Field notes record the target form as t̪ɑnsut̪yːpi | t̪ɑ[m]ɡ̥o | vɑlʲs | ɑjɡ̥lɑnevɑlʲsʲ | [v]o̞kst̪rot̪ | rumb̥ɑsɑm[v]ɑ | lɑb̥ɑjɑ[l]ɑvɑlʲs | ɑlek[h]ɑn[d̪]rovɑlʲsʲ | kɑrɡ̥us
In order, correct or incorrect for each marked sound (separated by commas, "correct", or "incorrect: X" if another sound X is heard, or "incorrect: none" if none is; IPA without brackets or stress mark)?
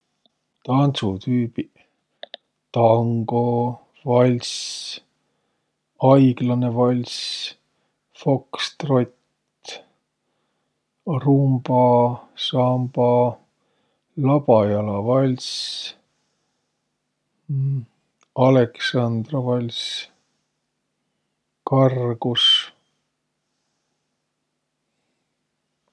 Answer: incorrect: ŋ, incorrect: f, incorrect: b, correct, incorrect: s, correct